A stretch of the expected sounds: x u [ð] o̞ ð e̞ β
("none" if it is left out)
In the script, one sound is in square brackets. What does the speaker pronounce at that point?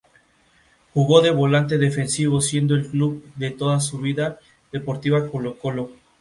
ɣ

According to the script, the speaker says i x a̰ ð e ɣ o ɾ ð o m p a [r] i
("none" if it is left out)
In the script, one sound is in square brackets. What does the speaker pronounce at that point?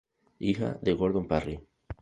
r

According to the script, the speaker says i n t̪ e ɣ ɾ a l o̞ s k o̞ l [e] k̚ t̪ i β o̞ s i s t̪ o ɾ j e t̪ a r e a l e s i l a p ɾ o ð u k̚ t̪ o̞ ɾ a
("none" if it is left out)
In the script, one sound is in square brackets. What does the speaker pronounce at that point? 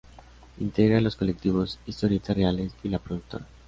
e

